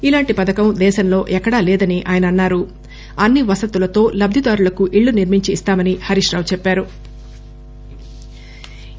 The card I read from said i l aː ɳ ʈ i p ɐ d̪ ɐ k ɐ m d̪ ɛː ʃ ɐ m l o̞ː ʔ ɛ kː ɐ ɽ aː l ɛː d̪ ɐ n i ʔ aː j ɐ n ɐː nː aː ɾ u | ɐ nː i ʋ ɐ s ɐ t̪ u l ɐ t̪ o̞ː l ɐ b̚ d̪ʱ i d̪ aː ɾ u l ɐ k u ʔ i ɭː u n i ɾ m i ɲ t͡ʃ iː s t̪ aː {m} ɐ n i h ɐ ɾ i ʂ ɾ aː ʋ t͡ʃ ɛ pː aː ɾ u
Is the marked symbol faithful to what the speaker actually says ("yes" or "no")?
yes